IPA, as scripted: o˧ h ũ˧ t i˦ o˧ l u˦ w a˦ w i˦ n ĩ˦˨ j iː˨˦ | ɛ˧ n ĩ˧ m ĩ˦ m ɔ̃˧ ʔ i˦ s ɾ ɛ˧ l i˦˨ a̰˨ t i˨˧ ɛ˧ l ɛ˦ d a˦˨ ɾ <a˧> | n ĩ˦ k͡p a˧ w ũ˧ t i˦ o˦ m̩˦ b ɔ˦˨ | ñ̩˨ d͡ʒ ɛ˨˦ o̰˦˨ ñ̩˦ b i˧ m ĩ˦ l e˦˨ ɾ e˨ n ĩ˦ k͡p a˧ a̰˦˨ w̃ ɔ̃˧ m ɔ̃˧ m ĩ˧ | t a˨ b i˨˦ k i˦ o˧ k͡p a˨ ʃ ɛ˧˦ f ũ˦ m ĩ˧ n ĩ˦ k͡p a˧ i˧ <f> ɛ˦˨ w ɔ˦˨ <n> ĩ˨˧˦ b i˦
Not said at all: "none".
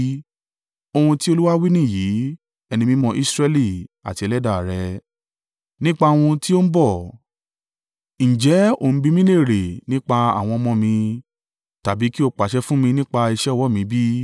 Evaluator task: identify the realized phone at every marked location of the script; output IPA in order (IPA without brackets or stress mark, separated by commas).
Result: ɛ˧, ʃ, m